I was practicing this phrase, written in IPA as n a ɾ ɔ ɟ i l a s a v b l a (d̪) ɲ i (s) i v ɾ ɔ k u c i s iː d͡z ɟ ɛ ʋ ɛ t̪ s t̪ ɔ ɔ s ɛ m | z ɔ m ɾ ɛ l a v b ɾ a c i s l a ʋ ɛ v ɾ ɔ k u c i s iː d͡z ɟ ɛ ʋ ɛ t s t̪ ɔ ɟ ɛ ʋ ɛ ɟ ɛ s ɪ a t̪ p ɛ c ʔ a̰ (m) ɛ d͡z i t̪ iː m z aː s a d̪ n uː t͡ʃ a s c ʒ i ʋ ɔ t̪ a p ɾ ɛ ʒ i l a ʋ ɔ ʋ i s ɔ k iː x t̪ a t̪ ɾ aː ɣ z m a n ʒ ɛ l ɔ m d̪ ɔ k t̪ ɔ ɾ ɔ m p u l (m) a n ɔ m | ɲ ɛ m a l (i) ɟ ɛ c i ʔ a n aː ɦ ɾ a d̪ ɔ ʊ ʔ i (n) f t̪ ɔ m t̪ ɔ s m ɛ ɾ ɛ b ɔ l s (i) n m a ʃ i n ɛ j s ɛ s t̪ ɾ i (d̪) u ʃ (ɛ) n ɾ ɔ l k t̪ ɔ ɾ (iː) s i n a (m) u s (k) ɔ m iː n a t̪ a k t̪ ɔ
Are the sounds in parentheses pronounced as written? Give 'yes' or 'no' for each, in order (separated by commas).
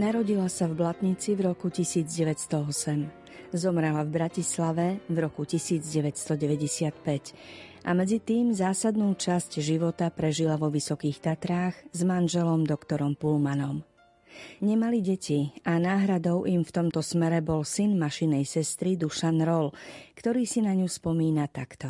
no, no, yes, yes, yes, no, yes, yes, no, yes, no, no